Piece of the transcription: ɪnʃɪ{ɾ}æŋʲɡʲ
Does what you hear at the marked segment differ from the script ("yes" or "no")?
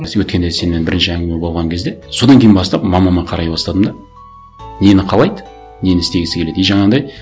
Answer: yes